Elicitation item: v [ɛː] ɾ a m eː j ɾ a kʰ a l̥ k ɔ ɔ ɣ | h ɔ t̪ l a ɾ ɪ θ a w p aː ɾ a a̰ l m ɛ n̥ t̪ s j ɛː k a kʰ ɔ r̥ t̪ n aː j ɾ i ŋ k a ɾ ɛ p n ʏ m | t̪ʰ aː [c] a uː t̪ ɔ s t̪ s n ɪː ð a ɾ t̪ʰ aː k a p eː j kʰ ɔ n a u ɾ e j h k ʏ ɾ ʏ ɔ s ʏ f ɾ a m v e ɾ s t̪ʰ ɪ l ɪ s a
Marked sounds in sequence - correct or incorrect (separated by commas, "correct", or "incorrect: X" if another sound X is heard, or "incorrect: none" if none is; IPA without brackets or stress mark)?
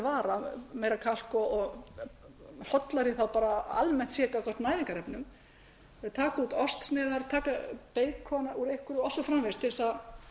incorrect: aː, incorrect: k